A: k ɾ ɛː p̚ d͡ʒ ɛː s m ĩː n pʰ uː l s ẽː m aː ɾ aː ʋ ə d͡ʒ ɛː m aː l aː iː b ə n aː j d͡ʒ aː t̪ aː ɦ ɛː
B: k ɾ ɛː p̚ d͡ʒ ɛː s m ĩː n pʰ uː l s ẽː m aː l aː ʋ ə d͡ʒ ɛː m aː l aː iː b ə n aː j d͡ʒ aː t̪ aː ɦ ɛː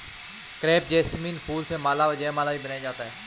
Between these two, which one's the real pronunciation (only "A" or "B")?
B